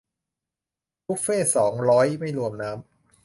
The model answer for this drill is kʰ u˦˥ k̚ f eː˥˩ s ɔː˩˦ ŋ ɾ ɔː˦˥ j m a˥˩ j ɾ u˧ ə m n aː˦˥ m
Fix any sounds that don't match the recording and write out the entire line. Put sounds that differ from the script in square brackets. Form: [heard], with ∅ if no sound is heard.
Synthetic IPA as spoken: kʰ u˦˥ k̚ f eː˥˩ s ɔː˩˦ ŋ ɾ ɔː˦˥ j m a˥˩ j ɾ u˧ ə m n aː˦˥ m